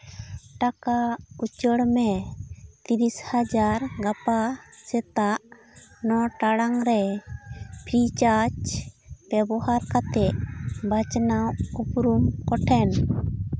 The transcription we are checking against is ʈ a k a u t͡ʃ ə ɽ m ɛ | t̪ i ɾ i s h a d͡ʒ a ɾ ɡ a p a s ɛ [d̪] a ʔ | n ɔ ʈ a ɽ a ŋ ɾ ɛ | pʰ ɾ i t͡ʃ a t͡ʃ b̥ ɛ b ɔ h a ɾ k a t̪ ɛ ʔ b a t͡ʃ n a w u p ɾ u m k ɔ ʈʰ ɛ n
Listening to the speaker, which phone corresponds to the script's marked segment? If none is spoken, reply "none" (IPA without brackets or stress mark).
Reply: t̪